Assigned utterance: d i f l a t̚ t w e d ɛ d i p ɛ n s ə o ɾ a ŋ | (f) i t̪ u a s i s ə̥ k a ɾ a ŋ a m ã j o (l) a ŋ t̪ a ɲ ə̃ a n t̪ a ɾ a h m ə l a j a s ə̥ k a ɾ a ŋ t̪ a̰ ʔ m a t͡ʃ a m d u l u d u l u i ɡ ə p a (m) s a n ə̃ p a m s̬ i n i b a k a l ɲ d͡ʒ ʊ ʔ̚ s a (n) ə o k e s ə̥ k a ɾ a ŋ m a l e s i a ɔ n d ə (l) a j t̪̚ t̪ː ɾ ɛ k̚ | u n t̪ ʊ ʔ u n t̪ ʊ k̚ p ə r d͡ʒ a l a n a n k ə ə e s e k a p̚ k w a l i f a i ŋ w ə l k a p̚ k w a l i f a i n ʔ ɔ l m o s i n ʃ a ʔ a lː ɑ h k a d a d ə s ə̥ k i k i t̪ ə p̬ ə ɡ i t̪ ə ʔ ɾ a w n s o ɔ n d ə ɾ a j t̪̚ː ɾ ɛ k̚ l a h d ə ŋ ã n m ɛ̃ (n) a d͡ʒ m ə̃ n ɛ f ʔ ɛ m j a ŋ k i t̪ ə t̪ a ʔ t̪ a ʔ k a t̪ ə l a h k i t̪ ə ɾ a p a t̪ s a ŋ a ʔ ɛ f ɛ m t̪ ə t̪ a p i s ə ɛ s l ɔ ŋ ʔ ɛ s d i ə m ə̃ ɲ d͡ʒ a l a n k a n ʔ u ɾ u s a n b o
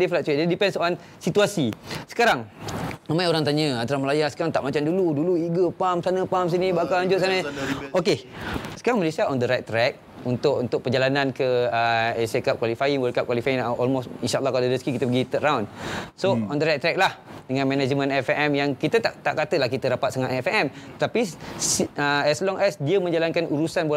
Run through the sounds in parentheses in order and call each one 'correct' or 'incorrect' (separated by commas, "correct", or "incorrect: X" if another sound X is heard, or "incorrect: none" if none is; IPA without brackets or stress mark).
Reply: incorrect: s, incorrect: ɾ, correct, correct, incorrect: ɾ, correct